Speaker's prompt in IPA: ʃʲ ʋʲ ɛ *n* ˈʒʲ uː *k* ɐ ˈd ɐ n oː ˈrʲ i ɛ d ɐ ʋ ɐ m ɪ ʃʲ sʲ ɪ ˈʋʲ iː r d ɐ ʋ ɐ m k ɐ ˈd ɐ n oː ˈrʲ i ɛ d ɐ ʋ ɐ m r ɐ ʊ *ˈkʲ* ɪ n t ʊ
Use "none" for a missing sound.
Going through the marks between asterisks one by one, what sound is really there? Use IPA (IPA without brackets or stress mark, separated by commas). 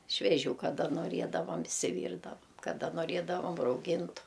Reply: none, k, ɡʲ